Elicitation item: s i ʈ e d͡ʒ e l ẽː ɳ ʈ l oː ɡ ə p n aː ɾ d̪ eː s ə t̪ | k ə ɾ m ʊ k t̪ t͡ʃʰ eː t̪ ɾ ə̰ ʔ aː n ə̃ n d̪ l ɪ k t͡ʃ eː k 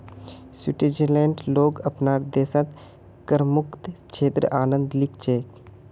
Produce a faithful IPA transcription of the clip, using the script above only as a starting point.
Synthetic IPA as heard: s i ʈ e d͡ʒ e l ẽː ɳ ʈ l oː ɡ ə p n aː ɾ d̪ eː s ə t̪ | k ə ɾ m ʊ k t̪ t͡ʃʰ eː t̪ ɾ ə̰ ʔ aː n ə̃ n d̪ l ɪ k t͡ʃ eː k